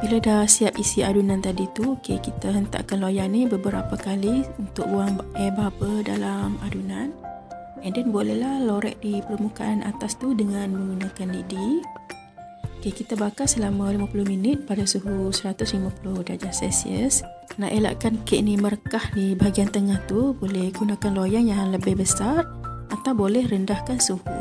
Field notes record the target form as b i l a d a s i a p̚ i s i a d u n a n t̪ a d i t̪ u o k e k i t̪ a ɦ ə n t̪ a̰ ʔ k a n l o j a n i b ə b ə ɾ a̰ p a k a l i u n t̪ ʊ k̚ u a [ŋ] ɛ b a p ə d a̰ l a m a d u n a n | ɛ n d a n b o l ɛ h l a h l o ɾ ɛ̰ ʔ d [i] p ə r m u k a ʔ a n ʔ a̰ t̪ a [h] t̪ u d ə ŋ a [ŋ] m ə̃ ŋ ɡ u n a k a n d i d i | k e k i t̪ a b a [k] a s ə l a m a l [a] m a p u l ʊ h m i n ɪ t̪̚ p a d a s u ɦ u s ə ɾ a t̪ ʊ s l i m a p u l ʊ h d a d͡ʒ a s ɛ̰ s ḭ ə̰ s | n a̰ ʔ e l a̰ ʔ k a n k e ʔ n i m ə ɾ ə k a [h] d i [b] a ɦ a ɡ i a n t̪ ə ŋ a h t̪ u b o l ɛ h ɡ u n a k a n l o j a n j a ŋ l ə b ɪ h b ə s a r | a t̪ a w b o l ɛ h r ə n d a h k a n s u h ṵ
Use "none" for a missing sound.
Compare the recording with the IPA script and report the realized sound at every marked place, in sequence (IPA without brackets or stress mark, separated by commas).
ŋ, i, s, n, k, i, h, b